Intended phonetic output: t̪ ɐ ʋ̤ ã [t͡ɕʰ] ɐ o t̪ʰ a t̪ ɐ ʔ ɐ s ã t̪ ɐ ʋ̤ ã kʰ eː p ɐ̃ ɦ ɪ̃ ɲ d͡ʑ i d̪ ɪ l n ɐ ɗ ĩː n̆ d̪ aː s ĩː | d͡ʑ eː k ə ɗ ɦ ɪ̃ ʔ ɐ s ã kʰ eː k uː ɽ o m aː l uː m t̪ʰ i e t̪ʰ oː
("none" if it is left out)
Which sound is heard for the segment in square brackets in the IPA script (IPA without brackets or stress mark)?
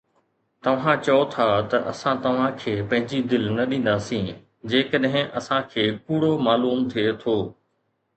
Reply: t͡ɕ